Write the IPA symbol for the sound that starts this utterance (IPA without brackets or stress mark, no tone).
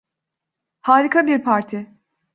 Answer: h